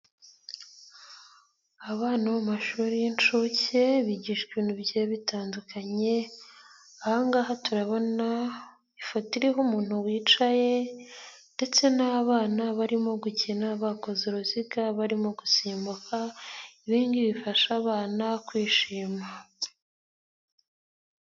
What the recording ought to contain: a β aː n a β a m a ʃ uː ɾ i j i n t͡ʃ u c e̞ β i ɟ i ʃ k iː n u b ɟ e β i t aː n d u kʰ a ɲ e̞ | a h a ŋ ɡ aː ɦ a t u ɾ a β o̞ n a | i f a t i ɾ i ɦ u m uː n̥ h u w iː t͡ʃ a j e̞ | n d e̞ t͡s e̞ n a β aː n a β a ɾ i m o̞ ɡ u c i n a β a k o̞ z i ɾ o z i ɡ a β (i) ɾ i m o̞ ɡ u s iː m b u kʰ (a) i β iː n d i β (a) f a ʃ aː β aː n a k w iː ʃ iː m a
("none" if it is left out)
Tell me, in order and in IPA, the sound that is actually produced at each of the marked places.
a, a, i

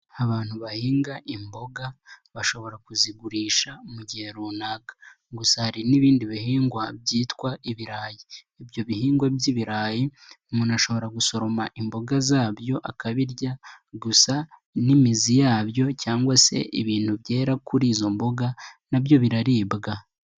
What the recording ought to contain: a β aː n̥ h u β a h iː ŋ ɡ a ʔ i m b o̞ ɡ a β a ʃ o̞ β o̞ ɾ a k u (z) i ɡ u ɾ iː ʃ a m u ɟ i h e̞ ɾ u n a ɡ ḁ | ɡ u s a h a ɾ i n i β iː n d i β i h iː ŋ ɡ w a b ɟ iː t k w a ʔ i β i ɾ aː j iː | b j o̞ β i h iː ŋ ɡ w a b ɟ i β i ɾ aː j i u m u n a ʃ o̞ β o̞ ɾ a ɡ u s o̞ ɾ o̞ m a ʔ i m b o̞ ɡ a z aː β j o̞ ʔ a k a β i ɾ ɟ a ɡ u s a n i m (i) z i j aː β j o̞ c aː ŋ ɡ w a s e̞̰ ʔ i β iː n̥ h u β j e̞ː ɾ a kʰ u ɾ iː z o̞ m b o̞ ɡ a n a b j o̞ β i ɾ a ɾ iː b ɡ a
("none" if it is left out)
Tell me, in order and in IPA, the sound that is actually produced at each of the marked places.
z, i

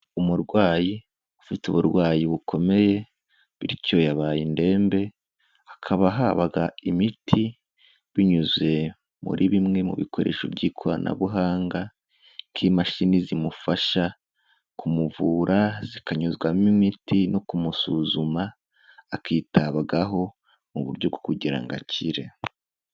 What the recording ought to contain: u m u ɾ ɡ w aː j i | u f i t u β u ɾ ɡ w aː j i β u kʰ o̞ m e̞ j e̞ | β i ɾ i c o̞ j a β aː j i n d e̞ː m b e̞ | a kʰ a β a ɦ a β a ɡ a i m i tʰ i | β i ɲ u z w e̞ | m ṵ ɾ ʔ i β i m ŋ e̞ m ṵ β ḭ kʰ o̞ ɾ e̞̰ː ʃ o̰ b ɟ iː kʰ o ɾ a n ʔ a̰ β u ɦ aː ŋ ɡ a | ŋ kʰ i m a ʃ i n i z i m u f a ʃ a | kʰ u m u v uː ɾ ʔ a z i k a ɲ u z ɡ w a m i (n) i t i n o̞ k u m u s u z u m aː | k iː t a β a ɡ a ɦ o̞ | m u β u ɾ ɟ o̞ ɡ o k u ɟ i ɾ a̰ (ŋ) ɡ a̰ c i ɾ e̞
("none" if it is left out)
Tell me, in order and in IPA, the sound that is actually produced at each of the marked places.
m, ŋ

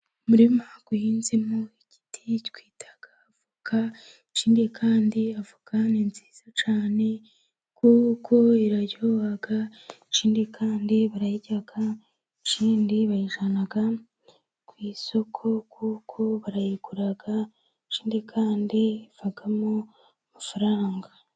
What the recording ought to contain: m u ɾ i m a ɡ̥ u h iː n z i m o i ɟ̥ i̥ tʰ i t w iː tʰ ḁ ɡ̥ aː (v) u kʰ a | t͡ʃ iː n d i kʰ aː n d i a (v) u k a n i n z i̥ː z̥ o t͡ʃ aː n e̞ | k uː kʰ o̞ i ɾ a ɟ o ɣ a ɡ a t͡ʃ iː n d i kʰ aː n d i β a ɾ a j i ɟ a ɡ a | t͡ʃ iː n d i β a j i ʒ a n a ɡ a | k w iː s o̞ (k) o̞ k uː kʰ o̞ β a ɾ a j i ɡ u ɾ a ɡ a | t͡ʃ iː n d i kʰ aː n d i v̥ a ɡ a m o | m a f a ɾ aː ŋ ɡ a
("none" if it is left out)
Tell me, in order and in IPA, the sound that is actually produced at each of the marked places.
v, v, kʰ

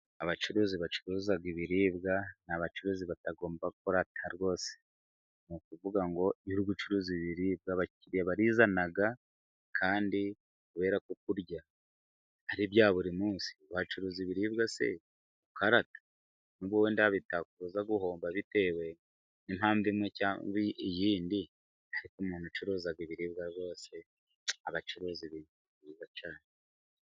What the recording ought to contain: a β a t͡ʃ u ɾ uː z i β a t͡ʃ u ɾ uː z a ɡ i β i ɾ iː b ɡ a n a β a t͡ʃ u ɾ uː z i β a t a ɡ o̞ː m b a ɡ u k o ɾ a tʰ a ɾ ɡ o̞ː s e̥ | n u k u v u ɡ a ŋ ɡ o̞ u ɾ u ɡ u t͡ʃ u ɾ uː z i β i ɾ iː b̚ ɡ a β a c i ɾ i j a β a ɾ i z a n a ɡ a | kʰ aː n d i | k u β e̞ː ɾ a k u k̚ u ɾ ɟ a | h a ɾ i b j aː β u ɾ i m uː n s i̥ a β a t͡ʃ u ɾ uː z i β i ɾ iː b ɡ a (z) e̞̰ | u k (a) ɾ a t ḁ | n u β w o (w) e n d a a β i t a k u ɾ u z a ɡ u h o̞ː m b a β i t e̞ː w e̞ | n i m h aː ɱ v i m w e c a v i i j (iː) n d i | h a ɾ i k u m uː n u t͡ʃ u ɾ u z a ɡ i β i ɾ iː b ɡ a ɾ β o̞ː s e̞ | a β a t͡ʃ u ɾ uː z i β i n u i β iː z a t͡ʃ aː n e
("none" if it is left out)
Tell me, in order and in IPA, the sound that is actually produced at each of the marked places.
s, a, w, iː

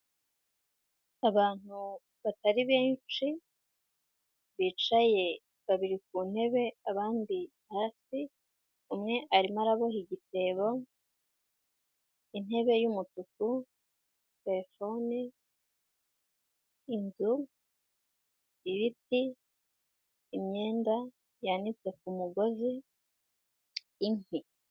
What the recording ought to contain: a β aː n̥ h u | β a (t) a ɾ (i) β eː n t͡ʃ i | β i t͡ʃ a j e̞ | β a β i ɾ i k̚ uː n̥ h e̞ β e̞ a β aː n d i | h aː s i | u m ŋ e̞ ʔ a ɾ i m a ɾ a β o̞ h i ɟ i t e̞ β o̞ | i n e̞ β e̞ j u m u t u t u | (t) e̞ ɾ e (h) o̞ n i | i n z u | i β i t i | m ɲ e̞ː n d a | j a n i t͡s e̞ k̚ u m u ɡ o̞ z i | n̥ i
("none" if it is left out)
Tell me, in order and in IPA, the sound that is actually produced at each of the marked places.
t, i, t, f

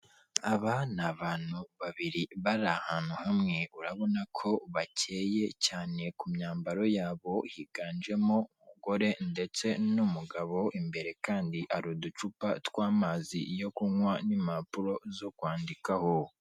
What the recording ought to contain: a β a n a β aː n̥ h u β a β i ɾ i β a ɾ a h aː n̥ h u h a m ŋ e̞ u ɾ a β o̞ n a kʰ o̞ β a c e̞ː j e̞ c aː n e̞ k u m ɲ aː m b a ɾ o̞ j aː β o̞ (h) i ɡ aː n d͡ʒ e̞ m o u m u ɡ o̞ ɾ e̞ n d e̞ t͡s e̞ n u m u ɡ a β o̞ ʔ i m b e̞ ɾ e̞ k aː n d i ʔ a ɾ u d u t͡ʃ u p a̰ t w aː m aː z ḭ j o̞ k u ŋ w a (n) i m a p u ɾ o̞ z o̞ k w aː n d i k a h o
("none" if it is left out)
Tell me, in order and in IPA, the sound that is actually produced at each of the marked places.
h, n

